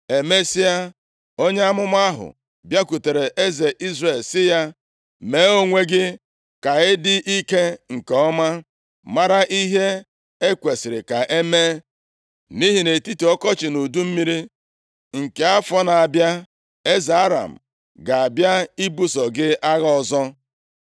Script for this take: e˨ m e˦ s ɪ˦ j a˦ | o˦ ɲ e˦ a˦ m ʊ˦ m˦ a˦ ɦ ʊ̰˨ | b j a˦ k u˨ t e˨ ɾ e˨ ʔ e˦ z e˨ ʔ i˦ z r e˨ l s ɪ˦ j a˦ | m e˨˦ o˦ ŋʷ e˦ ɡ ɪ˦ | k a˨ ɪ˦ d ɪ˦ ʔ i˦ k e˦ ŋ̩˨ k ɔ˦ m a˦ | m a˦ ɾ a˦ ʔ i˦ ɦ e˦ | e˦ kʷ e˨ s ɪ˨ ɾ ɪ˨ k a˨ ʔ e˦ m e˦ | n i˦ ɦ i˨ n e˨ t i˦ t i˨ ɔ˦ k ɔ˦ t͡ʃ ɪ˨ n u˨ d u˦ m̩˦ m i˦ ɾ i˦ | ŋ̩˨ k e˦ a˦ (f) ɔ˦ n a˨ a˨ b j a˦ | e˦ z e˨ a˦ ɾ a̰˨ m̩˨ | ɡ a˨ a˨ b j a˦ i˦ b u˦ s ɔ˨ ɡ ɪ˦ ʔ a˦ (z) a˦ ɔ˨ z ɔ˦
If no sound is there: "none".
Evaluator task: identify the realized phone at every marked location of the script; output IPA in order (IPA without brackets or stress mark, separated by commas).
f, ɣ